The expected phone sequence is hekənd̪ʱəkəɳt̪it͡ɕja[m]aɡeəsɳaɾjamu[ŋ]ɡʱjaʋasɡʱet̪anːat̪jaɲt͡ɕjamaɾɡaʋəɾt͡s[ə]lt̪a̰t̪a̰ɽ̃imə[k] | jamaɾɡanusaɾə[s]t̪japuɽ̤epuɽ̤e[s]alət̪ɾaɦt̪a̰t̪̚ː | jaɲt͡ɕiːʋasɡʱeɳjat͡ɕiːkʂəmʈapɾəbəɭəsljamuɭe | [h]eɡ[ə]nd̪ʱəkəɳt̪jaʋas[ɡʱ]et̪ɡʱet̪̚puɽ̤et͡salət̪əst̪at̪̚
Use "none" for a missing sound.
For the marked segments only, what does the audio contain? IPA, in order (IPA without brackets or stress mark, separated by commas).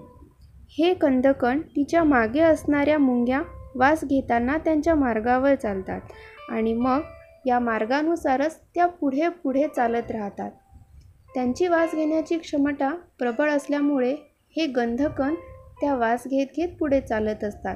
m, ŋ, a, ɡ, t͡s, t͡s, h, ə, ɡʱ